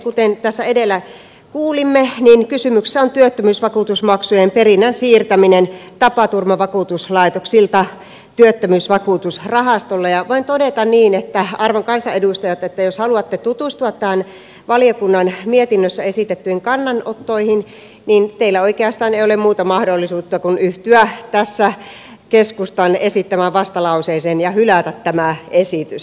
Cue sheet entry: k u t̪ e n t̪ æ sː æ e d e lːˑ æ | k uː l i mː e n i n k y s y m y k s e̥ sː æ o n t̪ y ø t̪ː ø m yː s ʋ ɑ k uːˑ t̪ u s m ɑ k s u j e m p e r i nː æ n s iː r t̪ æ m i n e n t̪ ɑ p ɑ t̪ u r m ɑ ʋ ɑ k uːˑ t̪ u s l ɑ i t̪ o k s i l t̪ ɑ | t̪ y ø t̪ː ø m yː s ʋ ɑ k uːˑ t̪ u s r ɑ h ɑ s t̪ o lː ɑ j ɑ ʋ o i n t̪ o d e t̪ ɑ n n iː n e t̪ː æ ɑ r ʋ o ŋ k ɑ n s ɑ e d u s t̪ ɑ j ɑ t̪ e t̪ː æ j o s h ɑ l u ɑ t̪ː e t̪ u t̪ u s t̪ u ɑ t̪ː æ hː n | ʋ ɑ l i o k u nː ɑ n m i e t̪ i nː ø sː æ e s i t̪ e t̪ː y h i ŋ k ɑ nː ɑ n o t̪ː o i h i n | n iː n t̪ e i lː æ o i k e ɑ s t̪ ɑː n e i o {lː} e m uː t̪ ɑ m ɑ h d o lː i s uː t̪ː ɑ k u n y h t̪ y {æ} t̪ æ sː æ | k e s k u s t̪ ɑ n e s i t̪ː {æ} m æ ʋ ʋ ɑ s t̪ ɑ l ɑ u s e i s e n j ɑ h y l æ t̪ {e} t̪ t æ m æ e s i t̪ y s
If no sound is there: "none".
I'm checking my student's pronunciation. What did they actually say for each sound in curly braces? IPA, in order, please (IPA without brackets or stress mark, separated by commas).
l, æ, æ, æ